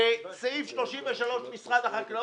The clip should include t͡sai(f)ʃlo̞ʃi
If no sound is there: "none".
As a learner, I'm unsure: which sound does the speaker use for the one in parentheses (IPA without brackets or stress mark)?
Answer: f